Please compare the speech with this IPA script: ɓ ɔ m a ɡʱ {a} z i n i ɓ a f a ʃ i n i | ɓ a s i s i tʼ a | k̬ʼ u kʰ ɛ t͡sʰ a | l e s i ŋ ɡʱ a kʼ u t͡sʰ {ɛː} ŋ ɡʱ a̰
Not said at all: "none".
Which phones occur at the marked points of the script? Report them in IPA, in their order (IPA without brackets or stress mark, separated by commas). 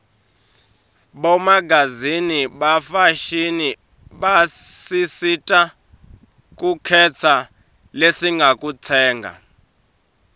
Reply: a, ɛː